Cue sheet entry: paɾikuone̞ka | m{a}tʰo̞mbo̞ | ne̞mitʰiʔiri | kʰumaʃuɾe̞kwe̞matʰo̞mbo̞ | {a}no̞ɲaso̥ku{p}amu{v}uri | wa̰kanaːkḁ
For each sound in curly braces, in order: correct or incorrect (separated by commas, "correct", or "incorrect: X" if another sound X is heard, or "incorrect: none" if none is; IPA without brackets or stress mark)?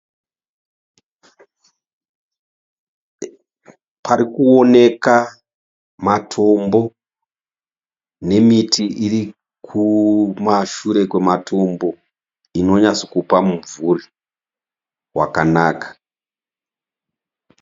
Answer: correct, incorrect: i, correct, correct